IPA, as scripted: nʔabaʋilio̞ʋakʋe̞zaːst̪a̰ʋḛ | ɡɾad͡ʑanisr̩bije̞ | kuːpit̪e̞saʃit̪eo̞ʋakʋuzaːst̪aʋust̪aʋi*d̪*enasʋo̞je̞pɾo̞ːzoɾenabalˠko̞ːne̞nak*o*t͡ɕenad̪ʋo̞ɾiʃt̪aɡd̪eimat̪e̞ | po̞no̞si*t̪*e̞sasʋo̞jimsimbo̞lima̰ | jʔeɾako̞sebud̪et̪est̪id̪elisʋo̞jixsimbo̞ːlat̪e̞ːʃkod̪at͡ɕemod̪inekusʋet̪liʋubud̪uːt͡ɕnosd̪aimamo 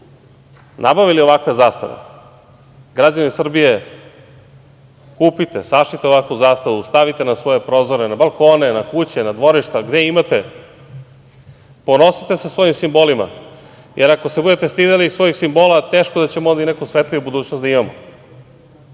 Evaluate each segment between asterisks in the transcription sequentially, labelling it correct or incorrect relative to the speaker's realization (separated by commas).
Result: incorrect, incorrect, correct